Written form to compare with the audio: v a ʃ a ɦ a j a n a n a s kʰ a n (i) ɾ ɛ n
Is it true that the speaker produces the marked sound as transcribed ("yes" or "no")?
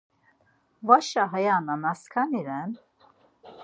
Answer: yes